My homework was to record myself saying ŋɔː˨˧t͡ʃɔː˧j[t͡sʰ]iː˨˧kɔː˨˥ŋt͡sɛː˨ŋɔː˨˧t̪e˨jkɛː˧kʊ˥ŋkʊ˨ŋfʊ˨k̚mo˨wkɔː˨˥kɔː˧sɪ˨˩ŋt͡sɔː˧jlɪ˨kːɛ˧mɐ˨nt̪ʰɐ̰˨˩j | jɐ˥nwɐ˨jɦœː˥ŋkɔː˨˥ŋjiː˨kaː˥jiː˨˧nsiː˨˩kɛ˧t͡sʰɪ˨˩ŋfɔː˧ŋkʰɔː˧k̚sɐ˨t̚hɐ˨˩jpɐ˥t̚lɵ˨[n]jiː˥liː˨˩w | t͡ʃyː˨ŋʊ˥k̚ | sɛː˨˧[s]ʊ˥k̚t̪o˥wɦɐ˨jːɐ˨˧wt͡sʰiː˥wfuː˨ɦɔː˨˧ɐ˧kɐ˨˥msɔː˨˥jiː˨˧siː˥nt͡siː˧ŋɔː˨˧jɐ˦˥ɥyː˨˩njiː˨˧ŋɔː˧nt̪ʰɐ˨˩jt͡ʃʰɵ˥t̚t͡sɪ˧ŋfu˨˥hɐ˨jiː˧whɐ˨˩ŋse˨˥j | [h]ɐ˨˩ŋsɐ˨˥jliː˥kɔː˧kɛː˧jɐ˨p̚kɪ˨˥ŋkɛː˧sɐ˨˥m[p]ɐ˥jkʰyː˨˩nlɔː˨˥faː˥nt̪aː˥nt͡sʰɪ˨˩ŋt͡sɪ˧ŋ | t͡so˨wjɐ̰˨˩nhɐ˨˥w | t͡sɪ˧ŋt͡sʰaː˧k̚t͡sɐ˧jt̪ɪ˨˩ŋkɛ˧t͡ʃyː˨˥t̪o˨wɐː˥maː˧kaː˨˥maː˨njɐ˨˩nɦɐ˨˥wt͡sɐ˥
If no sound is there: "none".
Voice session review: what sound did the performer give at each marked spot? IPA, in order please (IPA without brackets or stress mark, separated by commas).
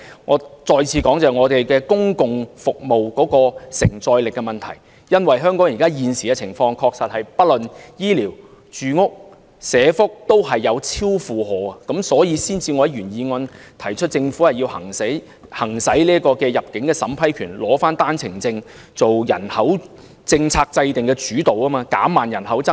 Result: t͡sʰ, n, f, h, pʰ